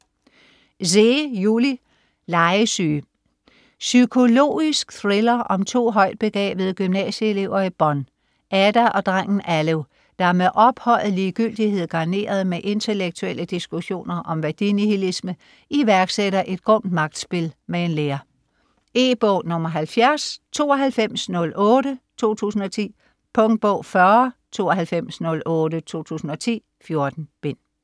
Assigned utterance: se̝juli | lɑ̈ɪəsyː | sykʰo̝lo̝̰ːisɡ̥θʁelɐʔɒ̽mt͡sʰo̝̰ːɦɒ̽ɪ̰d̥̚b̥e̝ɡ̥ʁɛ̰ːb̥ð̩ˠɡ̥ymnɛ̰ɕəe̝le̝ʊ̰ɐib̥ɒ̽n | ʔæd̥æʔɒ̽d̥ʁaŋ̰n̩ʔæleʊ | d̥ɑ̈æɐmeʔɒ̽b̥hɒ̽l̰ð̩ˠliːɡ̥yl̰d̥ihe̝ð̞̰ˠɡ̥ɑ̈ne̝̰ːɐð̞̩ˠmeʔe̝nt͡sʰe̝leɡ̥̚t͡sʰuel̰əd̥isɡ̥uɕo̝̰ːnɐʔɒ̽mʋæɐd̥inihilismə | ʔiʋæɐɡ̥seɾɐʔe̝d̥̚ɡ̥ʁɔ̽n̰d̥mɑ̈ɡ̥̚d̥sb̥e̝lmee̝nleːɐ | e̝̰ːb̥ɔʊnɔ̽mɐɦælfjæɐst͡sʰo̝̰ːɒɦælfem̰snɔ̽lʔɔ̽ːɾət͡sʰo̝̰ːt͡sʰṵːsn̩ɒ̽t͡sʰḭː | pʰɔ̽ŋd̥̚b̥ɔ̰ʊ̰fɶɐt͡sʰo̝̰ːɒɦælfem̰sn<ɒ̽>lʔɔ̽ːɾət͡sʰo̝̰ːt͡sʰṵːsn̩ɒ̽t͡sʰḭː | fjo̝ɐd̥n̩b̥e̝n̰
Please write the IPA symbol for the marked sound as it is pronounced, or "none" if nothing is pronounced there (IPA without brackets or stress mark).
ɔ̽